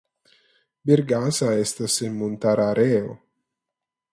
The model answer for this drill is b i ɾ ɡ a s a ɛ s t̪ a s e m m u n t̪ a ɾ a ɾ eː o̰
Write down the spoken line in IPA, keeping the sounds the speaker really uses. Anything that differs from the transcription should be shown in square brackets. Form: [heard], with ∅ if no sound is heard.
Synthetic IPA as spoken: b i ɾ ɡ a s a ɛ s t̪ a s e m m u n t̪ a ɾ a ɾ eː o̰